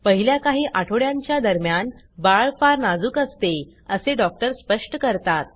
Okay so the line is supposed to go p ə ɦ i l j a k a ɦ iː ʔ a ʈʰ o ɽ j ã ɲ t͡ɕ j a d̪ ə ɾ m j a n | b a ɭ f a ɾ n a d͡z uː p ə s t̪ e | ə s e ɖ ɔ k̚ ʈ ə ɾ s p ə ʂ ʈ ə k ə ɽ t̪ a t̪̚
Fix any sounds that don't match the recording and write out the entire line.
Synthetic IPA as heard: p ə ɦ i l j a k a ɦ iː ʔ a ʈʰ o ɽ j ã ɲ t͡ɕ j a d̪ ə ɾ m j a n | b a ɭ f a ɾ n a d͡z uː k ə s t̪ e | ə s e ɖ ɔ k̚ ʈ ə ɾ s p ə ʂ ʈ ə k ə ɾ t̪ a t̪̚